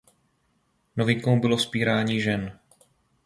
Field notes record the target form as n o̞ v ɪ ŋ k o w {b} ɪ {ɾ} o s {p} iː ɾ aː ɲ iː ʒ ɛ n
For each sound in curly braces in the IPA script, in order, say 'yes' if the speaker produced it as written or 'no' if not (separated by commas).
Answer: yes, no, yes